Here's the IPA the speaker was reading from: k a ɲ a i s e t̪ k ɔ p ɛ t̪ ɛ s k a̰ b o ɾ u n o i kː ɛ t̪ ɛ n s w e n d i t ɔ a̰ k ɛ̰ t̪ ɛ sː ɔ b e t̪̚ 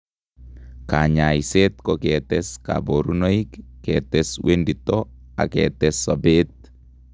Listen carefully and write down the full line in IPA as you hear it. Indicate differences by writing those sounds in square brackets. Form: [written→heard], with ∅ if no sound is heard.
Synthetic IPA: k a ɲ a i s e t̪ k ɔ [p→k] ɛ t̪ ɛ s k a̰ b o ɾ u n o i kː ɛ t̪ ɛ [n→∅] s w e n d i t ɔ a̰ k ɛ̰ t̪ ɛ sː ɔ b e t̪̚